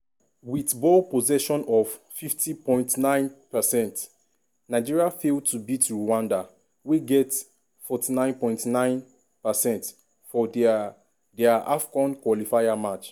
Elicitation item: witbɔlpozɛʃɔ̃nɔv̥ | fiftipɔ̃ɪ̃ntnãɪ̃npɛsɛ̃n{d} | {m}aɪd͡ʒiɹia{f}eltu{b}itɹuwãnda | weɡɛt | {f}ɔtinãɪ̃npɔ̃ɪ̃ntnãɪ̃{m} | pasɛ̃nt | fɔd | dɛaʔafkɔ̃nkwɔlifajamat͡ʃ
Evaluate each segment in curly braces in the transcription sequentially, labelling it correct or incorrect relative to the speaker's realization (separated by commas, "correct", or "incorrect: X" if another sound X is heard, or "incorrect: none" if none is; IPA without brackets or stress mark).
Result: incorrect: t, incorrect: n, correct, correct, correct, incorrect: n